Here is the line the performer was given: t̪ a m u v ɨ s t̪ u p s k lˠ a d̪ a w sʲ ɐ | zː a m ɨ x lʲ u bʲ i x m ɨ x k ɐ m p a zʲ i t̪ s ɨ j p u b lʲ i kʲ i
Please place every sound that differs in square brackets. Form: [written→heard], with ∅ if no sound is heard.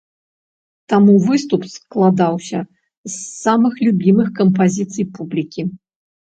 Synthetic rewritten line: t̪ a m u v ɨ s t̪ u p s k lˠ a d̪ a w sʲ ɐ | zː a m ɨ x lʲ u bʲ i [x→∅] m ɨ x k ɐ m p a zʲ i t̪ s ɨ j p u b lʲ i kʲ i